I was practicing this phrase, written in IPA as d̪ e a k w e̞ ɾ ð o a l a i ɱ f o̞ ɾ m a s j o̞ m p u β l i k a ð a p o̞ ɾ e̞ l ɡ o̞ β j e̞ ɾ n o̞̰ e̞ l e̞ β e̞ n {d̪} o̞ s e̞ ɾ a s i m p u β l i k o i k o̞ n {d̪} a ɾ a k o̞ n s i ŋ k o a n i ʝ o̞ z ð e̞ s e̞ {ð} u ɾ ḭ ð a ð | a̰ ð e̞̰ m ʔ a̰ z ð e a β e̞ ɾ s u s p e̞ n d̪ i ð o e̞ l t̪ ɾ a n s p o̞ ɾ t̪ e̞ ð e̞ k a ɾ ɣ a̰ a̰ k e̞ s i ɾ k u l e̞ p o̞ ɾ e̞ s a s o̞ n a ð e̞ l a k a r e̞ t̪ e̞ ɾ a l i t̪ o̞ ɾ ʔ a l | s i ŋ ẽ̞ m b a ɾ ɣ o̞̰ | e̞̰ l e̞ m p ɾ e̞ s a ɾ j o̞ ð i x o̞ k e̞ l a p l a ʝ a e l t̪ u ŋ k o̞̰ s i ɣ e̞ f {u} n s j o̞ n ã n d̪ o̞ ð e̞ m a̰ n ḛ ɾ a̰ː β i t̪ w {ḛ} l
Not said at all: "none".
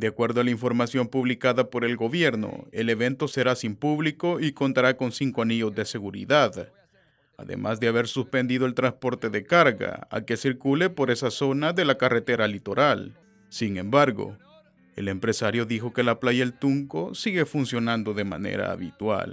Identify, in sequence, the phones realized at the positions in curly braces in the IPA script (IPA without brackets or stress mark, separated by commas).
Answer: t̪, t̪, ɣ, u, a̰